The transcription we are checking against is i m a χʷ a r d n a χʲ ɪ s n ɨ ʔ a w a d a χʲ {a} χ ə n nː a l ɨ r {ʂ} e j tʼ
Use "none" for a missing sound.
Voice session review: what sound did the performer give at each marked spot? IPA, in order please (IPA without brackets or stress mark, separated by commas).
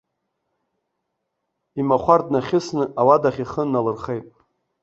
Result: i, χ